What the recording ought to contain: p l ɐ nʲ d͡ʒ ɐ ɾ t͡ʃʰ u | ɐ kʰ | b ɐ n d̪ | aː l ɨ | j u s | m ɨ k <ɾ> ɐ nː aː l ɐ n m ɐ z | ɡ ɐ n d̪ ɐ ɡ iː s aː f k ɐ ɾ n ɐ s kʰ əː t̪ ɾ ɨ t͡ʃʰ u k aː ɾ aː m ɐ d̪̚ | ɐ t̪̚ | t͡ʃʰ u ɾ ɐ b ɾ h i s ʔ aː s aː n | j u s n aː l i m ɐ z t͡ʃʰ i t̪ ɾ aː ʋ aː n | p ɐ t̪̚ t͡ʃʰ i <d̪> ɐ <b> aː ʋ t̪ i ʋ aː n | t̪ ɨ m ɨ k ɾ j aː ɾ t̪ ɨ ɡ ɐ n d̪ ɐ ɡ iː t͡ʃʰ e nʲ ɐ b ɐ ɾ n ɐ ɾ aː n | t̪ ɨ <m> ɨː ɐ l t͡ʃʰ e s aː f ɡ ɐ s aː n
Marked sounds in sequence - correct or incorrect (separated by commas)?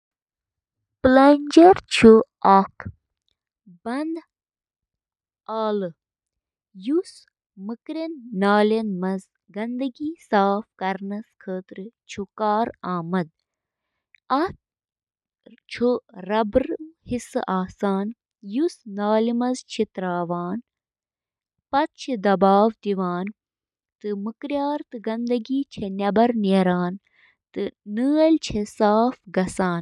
correct, correct, correct, incorrect